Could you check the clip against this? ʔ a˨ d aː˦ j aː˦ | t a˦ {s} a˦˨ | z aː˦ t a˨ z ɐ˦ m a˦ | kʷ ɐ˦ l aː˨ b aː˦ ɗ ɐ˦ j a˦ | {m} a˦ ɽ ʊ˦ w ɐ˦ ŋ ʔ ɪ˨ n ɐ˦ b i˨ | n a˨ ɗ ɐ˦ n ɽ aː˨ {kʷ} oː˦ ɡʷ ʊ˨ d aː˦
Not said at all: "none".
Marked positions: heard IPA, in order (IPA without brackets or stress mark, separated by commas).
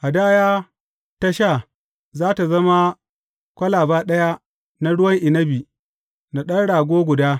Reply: ʃ, n, ɡʷ